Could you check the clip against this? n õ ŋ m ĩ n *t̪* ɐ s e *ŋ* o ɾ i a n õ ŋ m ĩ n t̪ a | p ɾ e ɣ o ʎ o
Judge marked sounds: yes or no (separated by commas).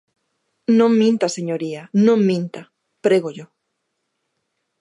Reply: yes, no